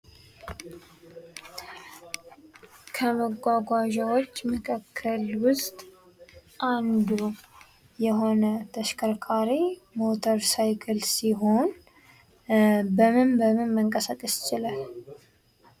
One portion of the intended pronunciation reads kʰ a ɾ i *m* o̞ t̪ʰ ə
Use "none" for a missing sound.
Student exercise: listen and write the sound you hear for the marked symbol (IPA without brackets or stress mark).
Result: m